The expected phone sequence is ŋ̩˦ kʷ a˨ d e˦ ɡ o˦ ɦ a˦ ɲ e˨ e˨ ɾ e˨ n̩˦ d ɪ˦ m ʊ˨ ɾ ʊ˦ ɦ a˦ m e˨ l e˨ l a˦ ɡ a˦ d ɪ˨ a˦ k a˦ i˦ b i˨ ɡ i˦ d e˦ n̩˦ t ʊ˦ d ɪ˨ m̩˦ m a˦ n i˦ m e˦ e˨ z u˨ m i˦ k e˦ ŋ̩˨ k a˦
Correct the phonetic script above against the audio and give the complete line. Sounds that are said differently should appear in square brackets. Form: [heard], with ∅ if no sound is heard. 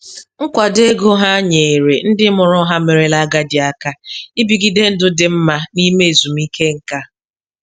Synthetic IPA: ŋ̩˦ kʷ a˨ d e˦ ɡ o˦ ɦ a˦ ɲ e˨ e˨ ɾ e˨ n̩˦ d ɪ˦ m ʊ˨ ɾ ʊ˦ ɦ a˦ m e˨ [ɾ] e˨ l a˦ ɡ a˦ d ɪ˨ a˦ k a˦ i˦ b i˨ ɡ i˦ d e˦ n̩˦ [d] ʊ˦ d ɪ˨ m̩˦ m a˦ n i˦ m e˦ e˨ z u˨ m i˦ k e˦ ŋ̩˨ k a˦